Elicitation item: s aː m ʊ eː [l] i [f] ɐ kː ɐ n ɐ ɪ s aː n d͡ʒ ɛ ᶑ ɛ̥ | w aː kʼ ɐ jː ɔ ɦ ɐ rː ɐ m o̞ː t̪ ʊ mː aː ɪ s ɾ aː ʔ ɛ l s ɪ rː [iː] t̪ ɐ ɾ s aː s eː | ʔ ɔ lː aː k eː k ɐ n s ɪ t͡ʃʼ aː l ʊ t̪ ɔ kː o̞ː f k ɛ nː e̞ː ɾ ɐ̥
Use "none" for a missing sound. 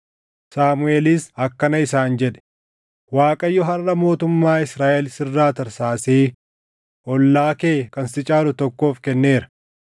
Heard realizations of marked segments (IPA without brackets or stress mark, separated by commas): l, s, aː